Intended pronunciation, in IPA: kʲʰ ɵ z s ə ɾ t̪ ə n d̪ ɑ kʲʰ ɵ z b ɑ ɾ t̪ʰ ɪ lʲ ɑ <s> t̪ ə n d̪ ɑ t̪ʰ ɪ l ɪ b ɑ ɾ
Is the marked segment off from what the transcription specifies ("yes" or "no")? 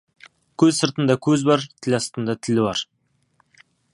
no